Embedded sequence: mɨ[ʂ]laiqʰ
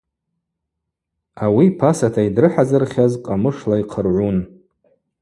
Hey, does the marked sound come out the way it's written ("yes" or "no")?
yes